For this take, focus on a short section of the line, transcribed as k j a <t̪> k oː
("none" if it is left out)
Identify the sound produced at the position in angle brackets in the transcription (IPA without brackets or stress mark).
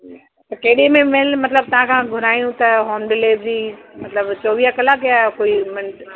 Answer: none